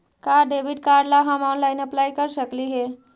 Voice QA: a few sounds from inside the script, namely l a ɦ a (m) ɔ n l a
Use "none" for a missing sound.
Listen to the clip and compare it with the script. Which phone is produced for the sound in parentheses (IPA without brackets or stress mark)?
m